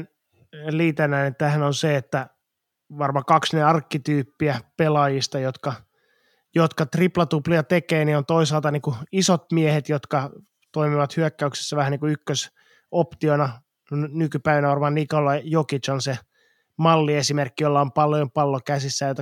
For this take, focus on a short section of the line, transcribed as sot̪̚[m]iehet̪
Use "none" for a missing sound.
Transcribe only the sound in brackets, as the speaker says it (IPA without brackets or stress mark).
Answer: m